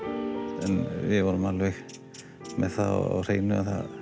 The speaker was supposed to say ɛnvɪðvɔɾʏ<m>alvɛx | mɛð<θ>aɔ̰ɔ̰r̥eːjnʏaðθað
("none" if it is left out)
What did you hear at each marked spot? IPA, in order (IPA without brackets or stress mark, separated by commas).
m, θ